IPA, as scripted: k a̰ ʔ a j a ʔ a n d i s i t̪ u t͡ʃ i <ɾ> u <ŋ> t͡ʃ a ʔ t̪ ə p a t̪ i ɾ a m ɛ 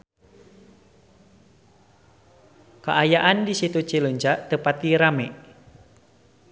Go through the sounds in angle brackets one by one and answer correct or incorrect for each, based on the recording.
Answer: incorrect: l, incorrect: ɲ

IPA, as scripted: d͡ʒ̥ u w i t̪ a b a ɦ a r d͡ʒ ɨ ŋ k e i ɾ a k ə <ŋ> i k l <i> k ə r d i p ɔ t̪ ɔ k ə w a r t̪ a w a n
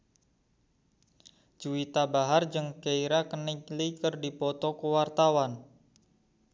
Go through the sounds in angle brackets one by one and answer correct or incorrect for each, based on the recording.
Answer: incorrect: n, correct

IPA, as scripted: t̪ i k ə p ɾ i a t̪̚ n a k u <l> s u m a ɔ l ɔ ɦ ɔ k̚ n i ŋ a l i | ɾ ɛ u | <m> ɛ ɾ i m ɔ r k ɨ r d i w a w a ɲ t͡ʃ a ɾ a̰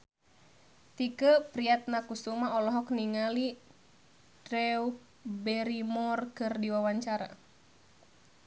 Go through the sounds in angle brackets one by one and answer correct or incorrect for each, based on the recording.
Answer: incorrect: none, incorrect: b

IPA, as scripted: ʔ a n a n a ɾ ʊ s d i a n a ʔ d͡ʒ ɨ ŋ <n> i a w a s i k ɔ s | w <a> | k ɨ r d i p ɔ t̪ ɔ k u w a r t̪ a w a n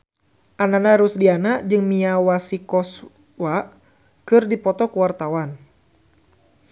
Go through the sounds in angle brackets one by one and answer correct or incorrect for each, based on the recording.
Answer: incorrect: m, correct

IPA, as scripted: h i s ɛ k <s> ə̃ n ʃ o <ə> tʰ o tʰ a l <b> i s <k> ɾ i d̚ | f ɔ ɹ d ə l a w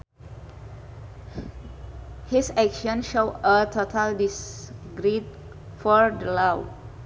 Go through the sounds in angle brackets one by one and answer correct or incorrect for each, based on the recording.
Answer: incorrect: ʃ, correct, incorrect: d, incorrect: ɡ

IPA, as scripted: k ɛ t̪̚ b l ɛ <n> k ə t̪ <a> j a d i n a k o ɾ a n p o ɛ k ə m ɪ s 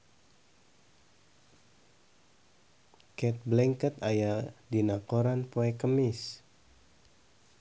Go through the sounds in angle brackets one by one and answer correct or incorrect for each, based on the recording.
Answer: incorrect: ŋ, correct

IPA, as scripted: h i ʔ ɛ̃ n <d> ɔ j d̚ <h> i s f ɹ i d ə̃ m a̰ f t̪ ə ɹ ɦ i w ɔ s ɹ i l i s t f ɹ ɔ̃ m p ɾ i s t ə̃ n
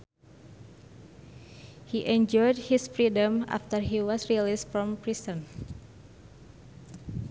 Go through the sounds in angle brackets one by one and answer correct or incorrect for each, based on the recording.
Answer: incorrect: d͡ʒ, correct

